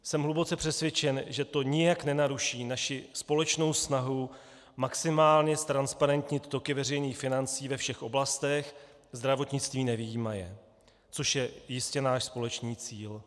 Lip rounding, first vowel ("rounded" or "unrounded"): unrounded